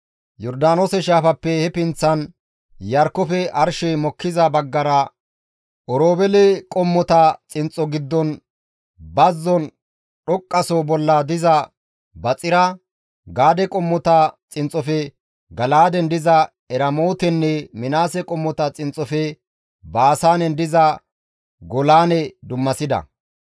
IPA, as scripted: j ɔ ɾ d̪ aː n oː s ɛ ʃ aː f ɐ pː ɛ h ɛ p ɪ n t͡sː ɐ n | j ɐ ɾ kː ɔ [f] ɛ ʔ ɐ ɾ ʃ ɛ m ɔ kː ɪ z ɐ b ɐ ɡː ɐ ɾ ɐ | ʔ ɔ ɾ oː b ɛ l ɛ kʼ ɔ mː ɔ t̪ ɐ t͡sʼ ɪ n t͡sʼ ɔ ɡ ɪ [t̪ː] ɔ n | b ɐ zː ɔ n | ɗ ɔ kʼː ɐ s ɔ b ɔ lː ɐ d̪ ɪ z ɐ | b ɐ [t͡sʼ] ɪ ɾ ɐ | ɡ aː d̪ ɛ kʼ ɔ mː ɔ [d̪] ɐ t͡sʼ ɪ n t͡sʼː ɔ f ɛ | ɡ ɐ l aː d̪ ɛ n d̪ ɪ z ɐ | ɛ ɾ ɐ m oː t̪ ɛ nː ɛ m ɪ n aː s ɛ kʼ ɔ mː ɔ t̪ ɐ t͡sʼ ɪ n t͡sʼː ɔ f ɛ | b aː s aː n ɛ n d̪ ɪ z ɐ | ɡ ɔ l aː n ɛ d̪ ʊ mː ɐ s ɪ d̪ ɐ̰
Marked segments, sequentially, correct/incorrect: correct, incorrect: d̪ː, correct, incorrect: t̪

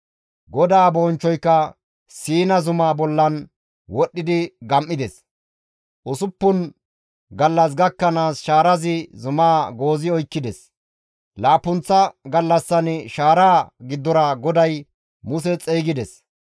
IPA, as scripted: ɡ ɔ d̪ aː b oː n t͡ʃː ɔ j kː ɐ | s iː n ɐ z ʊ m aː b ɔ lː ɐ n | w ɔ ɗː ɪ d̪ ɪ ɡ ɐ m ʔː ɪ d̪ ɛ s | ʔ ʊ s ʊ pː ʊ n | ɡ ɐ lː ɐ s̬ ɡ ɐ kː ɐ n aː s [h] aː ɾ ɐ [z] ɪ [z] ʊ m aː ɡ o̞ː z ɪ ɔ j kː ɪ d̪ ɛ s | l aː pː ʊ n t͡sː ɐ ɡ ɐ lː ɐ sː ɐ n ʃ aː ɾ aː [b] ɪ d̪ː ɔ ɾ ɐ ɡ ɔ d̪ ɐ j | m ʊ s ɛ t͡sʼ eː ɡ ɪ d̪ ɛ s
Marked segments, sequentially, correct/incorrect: incorrect: ʃ, correct, correct, incorrect: ɡ

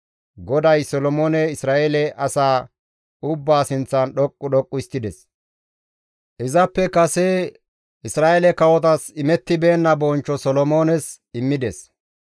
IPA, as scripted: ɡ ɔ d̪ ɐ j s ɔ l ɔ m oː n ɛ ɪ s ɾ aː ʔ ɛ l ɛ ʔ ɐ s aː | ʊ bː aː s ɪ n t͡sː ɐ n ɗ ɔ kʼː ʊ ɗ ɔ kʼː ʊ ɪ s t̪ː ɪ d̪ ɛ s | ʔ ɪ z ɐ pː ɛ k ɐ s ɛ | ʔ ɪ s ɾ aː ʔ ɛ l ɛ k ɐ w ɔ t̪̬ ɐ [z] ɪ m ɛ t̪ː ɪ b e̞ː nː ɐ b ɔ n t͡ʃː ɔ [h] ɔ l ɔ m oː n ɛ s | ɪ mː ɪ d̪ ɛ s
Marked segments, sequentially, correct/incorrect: incorrect: s, incorrect: s

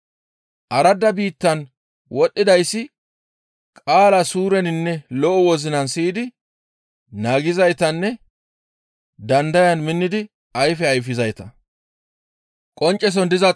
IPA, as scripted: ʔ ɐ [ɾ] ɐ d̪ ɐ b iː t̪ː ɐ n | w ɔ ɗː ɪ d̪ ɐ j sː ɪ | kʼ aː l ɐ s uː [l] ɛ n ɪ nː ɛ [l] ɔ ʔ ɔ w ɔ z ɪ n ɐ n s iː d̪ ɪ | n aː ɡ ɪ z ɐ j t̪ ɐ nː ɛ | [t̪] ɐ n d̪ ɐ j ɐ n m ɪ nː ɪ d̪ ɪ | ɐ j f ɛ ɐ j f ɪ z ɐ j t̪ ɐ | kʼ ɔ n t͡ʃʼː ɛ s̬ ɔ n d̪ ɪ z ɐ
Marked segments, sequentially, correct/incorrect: correct, incorrect: ɾ, correct, incorrect: d̪

